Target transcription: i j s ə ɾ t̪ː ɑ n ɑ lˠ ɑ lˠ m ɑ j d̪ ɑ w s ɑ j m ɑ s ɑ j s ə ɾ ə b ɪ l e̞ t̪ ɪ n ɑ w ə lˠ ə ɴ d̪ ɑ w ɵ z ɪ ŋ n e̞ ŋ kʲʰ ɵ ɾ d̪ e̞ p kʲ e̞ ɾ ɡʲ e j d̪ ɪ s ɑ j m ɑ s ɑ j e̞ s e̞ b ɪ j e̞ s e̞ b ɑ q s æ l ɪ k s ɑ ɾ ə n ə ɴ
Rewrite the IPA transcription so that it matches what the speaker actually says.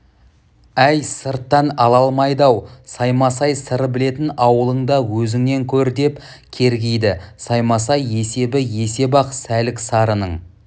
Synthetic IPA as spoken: æ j s ə ɾ t̪ː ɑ n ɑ lˠ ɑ lˠ m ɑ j d̪ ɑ w s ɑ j m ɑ s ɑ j s ə ɾ ə b ɪ l e̞ t̪ ɪ n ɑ w ə lˠ ə ɴ d̪ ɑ w ɵ z ɪ ŋ n e̞ ŋ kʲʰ ɵ ɾ d̪ e̞ p kʲʰ e̞ ɾ ɡʲ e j d̪ ɪ s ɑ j m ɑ s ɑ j e̞ s e̞ b ɪ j e̞ s e̞ b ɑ q s æ l ɪ k s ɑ ɾ ə n ə ɴ